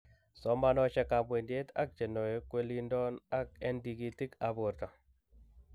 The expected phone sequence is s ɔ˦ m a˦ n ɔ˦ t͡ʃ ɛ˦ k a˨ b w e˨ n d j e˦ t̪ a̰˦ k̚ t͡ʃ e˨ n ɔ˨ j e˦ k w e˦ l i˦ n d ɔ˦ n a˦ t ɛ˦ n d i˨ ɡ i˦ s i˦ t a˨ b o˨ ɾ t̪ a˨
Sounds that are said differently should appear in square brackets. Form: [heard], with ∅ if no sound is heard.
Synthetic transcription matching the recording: s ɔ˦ m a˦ n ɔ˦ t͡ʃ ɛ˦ k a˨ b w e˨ n d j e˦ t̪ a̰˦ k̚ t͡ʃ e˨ n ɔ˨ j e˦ k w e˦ l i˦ n d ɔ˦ n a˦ [k] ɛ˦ n d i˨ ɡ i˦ [t] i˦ [k] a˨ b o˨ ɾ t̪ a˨